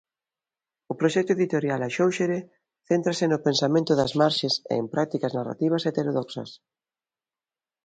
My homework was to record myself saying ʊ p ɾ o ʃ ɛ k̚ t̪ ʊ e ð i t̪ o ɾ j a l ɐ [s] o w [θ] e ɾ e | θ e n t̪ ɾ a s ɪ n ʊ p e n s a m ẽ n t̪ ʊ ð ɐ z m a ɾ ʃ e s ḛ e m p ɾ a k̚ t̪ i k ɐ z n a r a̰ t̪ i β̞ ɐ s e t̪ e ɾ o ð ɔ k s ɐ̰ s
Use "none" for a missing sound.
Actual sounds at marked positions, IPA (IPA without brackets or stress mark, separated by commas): ʃ, ʃ